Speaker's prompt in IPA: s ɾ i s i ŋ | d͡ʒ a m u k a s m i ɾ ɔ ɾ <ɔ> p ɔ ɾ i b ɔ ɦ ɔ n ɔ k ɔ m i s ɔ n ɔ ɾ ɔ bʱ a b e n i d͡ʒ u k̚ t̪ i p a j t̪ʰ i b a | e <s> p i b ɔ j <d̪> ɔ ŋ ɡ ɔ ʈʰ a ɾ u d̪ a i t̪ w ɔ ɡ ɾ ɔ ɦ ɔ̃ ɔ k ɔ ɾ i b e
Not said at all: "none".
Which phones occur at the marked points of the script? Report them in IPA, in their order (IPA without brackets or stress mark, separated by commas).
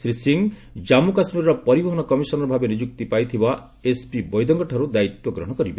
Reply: ɔ, s, d̪